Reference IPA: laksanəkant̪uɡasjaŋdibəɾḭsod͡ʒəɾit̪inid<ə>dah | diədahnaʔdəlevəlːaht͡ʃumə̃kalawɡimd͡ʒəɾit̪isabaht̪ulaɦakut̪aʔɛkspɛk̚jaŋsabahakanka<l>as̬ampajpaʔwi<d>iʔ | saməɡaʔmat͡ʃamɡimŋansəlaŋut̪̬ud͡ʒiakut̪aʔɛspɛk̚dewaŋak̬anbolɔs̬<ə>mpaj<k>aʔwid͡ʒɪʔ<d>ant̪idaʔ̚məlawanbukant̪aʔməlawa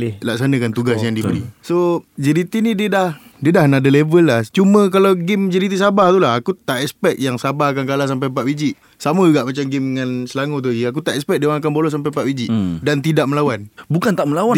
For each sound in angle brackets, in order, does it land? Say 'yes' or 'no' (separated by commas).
yes, yes, no, no, no, yes